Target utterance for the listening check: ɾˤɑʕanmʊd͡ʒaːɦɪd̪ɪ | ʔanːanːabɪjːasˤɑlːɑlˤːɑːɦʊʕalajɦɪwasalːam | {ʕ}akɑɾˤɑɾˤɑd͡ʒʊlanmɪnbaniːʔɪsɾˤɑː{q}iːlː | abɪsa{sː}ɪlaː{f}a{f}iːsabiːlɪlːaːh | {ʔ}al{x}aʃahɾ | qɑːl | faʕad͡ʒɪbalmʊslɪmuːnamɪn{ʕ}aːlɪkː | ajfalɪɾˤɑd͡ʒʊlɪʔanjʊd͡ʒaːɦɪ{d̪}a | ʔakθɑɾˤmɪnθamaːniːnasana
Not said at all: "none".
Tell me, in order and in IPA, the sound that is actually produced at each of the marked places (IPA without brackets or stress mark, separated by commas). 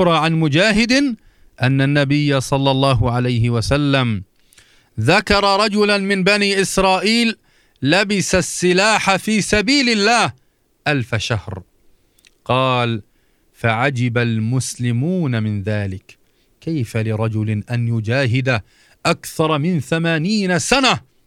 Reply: ð, ʔ, sː, ħ, f, ʔ, f, ð, d̪